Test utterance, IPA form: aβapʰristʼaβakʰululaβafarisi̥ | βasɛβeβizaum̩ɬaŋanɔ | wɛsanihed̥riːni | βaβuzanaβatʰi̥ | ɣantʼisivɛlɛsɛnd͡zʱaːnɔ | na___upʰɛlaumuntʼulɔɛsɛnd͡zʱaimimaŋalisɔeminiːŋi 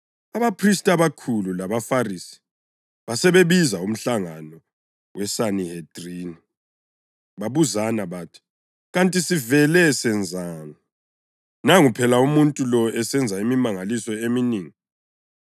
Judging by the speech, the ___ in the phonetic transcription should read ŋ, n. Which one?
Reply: ŋ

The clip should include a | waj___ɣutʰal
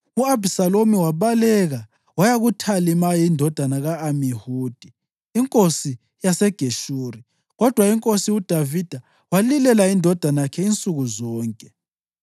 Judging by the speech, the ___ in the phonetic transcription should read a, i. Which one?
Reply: a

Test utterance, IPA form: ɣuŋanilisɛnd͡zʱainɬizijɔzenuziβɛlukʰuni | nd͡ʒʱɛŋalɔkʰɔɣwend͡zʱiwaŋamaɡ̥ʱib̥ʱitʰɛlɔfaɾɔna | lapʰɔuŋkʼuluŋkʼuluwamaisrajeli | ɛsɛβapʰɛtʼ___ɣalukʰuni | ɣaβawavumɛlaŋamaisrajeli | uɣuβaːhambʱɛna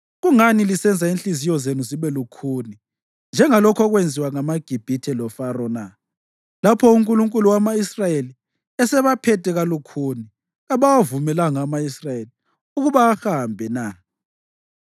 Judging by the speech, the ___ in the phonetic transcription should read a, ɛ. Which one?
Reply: ɛ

